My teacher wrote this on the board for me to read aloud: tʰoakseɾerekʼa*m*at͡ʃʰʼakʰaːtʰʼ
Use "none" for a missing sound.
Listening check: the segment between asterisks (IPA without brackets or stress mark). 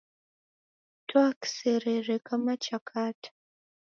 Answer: m